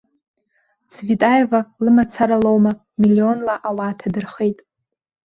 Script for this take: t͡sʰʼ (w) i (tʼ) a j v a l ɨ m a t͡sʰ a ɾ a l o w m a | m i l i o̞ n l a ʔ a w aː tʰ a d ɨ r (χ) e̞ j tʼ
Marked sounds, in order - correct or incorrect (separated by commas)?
incorrect, correct, correct